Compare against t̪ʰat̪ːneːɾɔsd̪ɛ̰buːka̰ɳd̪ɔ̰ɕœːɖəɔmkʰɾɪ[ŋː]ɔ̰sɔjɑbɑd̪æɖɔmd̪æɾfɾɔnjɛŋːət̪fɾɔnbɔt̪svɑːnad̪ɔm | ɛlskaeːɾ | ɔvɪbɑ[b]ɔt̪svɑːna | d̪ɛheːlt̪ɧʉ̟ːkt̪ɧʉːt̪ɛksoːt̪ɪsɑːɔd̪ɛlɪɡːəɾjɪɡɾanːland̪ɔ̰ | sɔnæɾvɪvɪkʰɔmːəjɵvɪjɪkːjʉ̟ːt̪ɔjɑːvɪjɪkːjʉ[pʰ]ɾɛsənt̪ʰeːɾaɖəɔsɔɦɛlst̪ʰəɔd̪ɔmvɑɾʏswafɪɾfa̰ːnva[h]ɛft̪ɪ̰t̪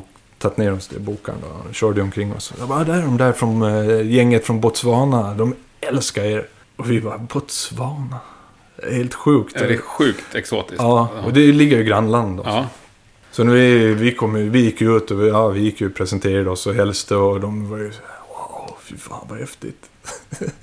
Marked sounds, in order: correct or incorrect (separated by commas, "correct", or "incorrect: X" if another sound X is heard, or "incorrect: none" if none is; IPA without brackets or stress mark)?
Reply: correct, correct, correct, correct